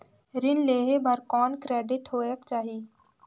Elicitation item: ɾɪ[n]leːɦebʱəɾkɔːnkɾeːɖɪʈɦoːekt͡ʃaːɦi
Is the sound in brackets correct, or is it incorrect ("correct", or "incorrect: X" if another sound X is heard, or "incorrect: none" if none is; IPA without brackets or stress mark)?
correct